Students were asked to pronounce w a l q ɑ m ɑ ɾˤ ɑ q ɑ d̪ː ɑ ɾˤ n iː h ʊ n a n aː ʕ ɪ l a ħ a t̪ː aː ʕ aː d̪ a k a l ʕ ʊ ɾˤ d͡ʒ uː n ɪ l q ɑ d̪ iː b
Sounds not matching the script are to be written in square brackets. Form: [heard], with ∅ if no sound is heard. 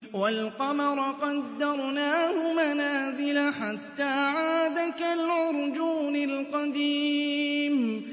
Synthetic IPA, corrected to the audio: w a l q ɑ m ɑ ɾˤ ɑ q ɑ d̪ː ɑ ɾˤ n [aː] h ʊ [m] a n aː [z] ɪ l a ħ a t̪ː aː ʕ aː d̪ a k a l ʕ ʊ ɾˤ d͡ʒ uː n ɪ l q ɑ d̪ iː [m]